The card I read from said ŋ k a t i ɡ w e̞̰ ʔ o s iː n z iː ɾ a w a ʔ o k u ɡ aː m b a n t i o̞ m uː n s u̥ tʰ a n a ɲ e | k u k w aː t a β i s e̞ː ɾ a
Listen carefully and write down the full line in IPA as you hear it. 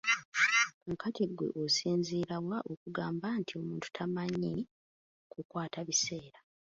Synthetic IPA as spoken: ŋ k a t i ɡ w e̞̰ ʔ o s iː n z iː ɾ a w a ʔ o k u ɡ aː m b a n t i o̞ m uː n t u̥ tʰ a m a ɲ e | k u k w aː t a β i s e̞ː ɾ a